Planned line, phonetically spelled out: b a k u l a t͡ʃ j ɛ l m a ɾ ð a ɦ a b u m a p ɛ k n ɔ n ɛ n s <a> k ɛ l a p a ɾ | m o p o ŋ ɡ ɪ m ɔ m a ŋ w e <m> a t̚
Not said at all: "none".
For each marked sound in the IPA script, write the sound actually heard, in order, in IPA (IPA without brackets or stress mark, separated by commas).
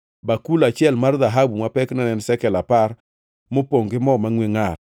ɛ, ŋ